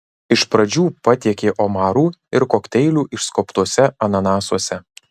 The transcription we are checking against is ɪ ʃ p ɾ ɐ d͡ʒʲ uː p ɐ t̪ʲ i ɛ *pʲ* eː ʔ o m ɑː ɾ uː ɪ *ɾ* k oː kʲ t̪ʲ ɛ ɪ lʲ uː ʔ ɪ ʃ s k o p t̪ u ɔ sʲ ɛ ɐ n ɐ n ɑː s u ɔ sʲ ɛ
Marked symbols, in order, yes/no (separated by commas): no, yes